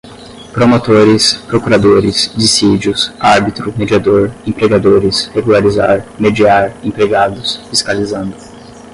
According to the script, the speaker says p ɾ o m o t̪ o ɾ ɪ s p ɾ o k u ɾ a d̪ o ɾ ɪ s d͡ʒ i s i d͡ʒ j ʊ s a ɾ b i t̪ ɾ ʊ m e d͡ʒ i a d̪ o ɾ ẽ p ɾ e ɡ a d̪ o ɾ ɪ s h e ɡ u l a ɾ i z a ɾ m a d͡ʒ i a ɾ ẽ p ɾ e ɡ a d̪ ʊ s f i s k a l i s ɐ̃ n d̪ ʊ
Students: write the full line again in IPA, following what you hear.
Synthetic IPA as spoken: p ɾ o m o t̪ o ɾ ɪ s p ɾ o k u ɾ a d̪ o ɾ ɪ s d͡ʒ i s i d͡ʒ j ʊ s a ɾ b i t̪ ɾ ʊ m e d͡ʒ i a d̪ o ɾ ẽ p ɾ e ɡ a d̪ o ɾ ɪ s h e ɡ u l a ɾ i z a ɾ m e d͡ʒ i a ɾ ẽ p ɾ e ɡ a d̪ ʊ s f i s k a l i z ɐ̃ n d̪ ʊ